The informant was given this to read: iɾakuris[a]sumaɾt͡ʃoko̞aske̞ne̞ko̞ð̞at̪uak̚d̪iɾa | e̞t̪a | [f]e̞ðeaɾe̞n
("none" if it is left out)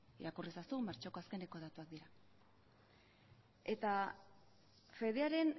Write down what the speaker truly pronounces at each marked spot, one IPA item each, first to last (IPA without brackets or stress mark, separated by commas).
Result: a, f